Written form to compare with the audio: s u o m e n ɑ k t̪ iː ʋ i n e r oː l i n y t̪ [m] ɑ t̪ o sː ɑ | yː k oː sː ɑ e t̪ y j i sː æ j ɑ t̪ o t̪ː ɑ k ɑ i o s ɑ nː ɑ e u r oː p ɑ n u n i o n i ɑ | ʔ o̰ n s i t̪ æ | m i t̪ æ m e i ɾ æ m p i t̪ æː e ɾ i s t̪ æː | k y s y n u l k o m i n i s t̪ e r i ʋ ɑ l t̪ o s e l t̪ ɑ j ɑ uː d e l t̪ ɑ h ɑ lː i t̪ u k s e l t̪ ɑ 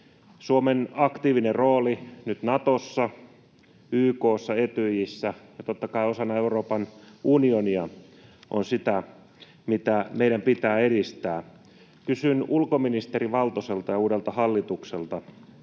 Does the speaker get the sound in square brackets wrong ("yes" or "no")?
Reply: yes